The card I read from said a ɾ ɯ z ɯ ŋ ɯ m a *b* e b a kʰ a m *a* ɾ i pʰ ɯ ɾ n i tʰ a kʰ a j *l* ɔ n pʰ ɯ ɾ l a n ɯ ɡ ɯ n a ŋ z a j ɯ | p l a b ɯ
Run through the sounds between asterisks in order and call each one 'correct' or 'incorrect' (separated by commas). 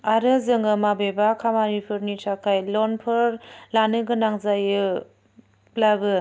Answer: correct, correct, correct